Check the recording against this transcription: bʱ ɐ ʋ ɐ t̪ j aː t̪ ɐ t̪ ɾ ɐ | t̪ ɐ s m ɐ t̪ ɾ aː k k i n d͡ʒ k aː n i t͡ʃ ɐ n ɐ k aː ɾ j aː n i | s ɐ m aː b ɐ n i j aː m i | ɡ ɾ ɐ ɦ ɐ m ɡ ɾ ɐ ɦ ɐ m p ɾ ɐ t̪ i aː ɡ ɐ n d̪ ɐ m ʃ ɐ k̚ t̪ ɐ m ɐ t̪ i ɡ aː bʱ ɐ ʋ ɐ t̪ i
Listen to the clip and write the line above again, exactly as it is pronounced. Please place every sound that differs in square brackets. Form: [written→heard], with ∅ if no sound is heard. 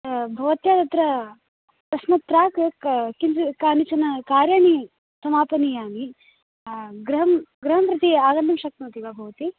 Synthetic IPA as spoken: bʱ ɐ ʋ ɐ t̪ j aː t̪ ɐ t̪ ɾ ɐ | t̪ ɐ s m ɐ t̪ ɾ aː k k i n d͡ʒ k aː n i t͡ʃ ɐ n ɐ k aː ɾ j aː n i | s ɐ m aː [b→p] ɐ n i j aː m i | ɡ ɾ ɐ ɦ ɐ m ɡ ɾ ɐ ɦ ɐ m p ɾ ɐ t̪ i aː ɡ ɐ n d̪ ɐ m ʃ ɐ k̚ t̪ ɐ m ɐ t̪ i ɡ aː bʱ ɐ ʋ ɐ t̪ i